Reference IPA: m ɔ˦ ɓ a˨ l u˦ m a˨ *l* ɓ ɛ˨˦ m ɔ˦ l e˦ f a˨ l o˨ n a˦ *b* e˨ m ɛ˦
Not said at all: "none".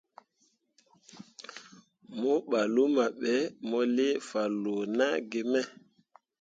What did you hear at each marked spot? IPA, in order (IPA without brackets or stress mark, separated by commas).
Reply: none, ɡ